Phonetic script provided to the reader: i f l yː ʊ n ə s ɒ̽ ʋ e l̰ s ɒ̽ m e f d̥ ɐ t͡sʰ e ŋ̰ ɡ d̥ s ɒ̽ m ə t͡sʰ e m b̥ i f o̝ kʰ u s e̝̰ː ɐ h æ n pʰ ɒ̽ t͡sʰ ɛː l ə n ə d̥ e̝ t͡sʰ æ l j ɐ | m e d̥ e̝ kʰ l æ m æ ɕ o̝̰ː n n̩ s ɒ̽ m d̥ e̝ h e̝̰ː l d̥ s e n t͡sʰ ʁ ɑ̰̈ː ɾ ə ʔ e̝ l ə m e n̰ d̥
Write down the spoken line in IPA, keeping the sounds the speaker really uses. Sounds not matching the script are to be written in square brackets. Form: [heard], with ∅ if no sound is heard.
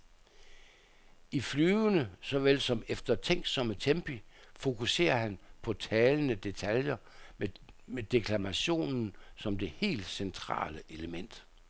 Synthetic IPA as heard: i f l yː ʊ n ə s ɒ̽ ʋ e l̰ s ɒ̽ m e f d̥ ɐ t͡sʰ e ŋ̰ ɡ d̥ s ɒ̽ m ə t͡sʰ e m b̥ i f o̝ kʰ u s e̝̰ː ɐ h æ n pʰ ɒ̽ t͡sʰ ɛː l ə n ə d̥ e̝ t͡sʰ æ l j ɐ | m e d̥ e̝ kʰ l æ m æ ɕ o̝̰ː n n̩ s ɒ̽ m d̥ e̝ h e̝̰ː l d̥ s e n t͡sʰ ʁ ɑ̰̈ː [l] ə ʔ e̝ l ə m e n̰ d̥

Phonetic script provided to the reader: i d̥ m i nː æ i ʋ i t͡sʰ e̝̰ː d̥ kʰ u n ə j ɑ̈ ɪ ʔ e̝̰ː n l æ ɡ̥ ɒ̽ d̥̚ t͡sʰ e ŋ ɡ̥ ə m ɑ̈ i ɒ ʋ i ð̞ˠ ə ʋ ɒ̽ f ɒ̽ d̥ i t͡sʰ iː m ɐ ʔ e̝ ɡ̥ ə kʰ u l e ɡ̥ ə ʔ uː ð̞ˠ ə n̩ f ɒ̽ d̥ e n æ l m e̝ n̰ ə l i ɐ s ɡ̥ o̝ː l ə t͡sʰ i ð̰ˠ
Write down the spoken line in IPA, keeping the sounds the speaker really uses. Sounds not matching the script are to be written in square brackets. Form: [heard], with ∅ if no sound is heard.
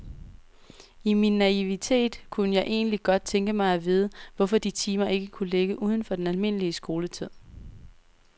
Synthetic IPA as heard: i [∅] m i nː æ i ʋ i t͡sʰ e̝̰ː d̥ kʰ u n ə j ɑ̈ ɪ ʔ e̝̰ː n l [i] ɡ̥ ɒ̽ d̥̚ t͡sʰ e ŋ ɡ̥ ə m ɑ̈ [ɪ] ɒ ʋ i ð̞ˠ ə ʋ ɒ̽ f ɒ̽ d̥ i t͡sʰ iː m ɐ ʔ e̝ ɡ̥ ə kʰ u l e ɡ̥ ə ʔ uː ð̞ˠ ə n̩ f ɒ̽ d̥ e n æ l m e̝ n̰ ə l i [ə] s ɡ̥ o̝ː l ə t͡sʰ i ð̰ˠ

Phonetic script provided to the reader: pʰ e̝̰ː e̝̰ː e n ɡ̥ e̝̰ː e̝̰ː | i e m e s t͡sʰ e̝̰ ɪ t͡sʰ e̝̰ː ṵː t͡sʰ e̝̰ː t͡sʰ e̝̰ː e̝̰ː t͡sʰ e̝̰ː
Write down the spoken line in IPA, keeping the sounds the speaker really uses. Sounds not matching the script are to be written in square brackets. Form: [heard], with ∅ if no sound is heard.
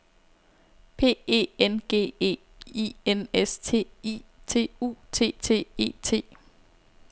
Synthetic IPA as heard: pʰ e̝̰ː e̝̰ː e n ɡ̥ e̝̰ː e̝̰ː | i e [n] e s t͡sʰ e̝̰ [i] t͡sʰ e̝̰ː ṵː t͡sʰ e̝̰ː t͡sʰ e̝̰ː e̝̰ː t͡sʰ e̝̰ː

